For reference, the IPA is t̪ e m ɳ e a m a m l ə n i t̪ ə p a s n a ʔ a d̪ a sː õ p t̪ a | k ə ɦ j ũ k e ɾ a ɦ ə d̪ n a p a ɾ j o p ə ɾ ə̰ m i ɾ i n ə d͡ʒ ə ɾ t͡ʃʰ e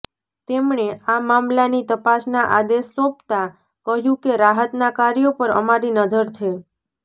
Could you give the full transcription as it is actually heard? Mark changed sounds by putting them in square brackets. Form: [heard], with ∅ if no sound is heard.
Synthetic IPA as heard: t̪ e m ɳ e a m a m l [a] n i t̪ ə p a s n a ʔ a d̪ [e] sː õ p t̪ a | k ə ɦ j ũ k e ɾ a ɦ ə [t̪] n a [k] a ɾ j o p ə ɾ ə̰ m [a] ɾ i n ə d͡ʒ ə ɾ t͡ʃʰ e